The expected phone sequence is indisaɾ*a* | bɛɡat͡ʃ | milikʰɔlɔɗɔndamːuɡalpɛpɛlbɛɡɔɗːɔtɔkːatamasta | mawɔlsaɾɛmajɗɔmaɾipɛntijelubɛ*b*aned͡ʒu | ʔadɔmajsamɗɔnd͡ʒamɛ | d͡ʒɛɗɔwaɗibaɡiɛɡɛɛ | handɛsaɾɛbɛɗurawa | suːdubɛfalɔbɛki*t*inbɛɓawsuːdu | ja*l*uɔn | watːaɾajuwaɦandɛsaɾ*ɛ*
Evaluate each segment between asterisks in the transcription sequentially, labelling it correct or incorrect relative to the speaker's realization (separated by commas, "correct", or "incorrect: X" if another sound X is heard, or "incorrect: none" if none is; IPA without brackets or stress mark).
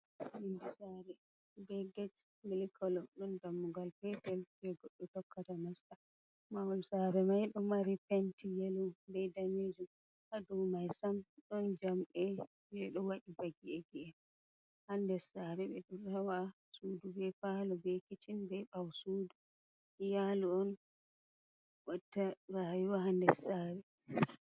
incorrect: ɛ, incorrect: d, incorrect: t͡ʃ, correct, correct